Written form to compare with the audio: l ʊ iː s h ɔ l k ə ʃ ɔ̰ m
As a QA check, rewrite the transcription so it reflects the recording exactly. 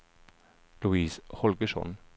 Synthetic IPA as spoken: l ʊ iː s h ɔ l ɡ ə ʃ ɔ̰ n

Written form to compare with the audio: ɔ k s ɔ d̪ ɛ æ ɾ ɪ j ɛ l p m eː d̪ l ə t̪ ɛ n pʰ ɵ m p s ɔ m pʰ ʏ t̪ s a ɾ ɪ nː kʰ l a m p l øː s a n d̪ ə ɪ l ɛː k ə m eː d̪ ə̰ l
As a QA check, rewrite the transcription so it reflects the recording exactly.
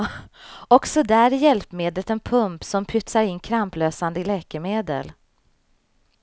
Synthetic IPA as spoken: ɔ k s ɔ d̪ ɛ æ ɾ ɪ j ɛ l p m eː d̪ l ə t̪ ɛ n pʰ ɵ m p s ɔ m pʰ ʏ t̪ s a ɾ ɪ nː kʰ ɾ a m p l øː s a n d̪ ə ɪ l ɛː k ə m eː d̪ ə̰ l

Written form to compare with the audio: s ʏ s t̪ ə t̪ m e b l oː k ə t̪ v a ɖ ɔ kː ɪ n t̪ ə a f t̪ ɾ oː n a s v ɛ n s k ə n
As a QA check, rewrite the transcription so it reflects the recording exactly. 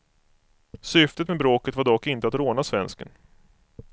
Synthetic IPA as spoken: s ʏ f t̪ ə t̪ m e b ɾ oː k ə t̪ v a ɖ ɔ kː ɪ n t̪ ə a t̪ ɾ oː n a s v ɛ n s k ə n

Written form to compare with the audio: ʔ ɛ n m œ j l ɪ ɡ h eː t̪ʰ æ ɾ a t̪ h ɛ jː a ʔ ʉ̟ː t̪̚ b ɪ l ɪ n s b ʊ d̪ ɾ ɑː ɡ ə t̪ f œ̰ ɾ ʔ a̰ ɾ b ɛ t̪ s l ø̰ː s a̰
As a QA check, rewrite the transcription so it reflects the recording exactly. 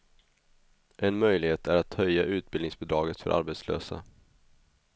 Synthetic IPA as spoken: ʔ ɛ n m œ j l ɪ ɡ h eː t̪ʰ æ ɾ a t̪ h œ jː a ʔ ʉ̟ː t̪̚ b ɪ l ɪ ŋ s b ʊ d̪ ɾ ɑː ɡ ə t̪ f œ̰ ɾ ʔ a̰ ɾ b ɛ t̪ s l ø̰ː s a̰

